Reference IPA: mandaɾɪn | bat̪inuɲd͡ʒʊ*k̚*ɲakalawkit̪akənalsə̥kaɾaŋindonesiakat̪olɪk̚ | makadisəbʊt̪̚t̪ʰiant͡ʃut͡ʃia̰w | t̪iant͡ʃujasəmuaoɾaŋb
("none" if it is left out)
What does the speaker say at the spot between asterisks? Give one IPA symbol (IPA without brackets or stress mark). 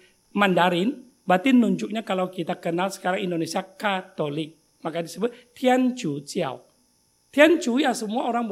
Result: k̚